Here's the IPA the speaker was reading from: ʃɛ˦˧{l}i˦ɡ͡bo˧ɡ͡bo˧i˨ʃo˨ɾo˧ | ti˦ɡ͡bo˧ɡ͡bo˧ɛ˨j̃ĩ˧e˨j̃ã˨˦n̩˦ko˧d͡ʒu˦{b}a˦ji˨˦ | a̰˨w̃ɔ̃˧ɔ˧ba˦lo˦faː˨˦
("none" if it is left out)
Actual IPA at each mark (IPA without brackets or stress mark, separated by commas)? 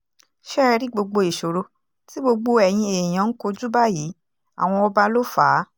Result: ɾ, b